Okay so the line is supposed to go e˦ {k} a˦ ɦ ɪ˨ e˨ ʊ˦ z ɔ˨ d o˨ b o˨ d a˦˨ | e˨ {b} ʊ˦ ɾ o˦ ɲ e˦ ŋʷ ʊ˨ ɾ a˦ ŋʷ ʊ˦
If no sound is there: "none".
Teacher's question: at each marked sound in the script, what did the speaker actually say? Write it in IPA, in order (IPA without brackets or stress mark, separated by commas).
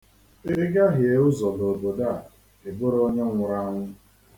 ɡ, b